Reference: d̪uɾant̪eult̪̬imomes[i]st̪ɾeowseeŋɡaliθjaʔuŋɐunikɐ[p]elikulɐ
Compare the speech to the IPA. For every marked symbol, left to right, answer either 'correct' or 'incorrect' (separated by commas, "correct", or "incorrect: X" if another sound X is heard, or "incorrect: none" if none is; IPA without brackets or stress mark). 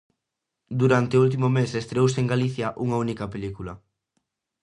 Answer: incorrect: e, correct